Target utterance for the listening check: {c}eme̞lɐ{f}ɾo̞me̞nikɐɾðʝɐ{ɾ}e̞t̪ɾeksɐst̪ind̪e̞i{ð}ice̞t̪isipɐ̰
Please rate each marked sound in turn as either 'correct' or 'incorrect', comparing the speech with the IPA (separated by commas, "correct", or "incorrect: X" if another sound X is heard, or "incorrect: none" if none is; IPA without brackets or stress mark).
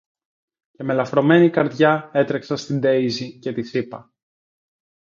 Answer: correct, correct, incorrect: none, incorrect: z